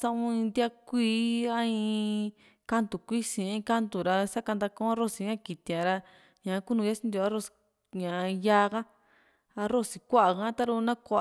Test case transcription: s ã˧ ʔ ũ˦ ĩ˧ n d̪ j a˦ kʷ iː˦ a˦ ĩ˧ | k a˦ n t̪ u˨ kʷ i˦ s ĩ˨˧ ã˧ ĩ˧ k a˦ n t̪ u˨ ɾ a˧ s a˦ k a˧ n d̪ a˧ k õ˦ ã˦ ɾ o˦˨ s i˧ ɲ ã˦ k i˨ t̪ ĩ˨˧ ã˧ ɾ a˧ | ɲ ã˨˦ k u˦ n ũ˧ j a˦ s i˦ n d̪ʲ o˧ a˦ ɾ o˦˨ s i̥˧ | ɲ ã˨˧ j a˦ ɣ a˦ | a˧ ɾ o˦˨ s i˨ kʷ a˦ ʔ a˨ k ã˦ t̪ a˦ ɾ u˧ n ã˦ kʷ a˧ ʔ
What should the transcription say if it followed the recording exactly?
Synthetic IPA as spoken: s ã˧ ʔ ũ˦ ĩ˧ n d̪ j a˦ kʷ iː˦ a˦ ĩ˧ | k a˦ n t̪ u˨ kʷ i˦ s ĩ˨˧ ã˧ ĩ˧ k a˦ n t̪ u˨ ɾ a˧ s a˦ k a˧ n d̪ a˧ k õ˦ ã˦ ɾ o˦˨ s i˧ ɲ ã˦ k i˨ t̪ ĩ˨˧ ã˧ ɾ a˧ | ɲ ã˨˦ k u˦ n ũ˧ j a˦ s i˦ n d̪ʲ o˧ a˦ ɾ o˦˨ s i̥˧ | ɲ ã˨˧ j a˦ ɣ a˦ | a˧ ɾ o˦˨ s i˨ kʷ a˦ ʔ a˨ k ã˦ t̪ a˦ ɾ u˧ n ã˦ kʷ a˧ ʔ

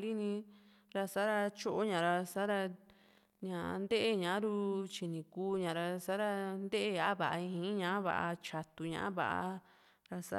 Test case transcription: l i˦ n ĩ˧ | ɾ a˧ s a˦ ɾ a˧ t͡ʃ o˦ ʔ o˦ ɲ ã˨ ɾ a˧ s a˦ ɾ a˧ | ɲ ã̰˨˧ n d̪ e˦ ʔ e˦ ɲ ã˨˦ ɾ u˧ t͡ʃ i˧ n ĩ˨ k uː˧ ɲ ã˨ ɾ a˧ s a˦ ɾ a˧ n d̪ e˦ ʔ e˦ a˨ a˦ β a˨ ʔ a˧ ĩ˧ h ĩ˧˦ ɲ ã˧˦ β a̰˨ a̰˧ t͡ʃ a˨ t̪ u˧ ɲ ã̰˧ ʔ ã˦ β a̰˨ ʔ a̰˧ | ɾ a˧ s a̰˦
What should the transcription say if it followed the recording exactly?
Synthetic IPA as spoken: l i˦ n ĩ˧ | ɾ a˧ s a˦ ɾ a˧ t͡ʃ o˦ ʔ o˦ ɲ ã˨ ɾ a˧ s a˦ ɾ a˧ | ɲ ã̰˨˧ n d̪ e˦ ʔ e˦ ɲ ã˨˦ ɾ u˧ t͡ʃ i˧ n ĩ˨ k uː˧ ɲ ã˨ ɾ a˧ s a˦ ɾ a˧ n d̪ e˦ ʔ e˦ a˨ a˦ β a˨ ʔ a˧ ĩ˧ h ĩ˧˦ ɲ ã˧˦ β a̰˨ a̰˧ t͡ʃ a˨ t̪ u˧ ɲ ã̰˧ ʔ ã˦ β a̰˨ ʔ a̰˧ | ɾ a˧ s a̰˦

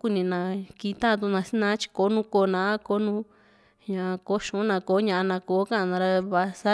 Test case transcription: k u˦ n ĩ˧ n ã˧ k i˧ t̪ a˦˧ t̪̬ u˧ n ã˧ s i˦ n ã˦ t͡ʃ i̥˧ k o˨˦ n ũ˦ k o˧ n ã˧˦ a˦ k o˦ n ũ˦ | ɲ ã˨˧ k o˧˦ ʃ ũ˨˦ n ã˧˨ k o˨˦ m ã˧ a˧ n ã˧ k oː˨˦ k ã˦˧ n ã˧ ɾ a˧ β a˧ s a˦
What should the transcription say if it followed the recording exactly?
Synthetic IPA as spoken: k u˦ n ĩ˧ n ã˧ k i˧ t̪ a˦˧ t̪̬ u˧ n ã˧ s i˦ n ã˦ t͡ʃ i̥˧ k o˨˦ n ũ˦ k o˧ n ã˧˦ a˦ k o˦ n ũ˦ | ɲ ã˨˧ k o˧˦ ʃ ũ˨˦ n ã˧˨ k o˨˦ ɲ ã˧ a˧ n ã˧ k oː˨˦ k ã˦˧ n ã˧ ɾ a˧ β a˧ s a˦

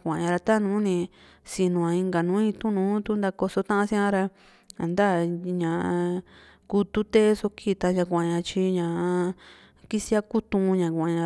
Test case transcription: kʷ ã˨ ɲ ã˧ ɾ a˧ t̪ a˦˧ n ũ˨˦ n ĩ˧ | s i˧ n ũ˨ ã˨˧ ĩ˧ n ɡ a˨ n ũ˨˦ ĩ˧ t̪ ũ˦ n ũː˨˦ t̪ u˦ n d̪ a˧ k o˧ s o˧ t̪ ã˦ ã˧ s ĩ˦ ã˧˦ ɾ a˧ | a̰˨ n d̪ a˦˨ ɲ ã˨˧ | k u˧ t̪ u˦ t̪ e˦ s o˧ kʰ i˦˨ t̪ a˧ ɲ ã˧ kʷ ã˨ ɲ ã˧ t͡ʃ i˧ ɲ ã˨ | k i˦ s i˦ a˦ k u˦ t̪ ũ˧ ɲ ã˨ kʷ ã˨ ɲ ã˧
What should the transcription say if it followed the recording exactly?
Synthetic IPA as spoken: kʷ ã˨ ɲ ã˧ ɾ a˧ t̪ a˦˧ n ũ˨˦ n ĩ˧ | s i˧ n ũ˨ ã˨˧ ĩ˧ ŋ ɡ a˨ n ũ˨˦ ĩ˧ t̪ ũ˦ n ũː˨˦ t̪ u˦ n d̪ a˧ k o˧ s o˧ t̪ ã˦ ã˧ s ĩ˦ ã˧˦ ɾ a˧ | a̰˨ n d̪ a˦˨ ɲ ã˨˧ | k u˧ t̪ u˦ t̪ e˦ s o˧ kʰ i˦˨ t̪ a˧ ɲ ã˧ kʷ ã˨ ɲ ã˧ t͡ʃ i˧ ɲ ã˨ | k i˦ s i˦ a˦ k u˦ t̪ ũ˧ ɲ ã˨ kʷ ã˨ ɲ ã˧

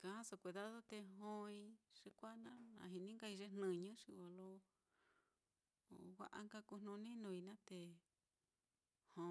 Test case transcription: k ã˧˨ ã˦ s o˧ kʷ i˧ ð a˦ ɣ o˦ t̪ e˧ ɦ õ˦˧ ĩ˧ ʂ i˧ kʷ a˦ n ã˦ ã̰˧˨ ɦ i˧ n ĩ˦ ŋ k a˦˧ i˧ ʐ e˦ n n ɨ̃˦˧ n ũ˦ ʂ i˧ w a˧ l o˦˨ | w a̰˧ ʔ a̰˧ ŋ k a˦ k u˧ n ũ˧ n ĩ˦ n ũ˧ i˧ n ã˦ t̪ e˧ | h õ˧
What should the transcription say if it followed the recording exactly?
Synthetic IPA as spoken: k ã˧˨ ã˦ s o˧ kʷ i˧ ð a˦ ð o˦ t̪ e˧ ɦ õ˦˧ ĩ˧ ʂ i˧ kʷ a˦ n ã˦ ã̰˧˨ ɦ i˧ n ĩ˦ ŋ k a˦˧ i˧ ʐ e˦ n n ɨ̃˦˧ ɲ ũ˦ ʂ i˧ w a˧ l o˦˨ | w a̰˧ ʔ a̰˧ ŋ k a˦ k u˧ n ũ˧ n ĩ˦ n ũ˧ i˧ n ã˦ t̪ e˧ | h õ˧

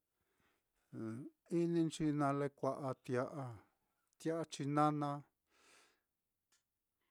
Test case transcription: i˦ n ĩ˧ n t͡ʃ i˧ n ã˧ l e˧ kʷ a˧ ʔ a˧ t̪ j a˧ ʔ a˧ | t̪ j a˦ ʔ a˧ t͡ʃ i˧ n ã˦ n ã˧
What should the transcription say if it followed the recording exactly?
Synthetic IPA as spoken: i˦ n ĩ˧ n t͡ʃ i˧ n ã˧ l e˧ kʷ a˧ ʔ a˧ t̪ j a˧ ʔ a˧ | t̪ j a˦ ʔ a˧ t͡ʃ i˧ n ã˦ n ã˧

